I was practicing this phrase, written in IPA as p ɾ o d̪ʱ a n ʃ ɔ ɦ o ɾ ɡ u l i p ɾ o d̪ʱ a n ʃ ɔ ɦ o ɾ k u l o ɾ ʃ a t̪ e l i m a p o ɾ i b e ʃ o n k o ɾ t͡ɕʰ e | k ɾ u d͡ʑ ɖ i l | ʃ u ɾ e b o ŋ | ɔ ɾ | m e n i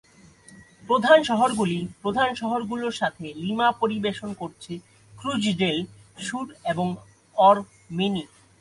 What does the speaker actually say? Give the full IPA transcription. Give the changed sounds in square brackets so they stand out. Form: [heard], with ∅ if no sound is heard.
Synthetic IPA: p ɾ o d̪ʱ a n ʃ ɔ ɦ o ɾ ɡ u l i p ɾ o d̪ʱ a n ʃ ɔ ɦ o ɾ [ɡ] u l o ɾ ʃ a [t̪ʰ] e l i m a p o ɾ i b e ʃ o n k o ɾ t͡ɕʰ e | k ɾ u d͡ʑ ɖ [e] l | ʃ u ɾ e b o ŋ | ɔ ɾ | m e n i